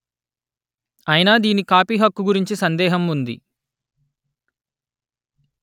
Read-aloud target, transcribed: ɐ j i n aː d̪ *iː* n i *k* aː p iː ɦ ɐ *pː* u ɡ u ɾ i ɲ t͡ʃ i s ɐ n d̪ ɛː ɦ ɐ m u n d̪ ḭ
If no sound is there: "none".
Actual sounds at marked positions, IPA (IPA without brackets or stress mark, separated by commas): iː, k, kː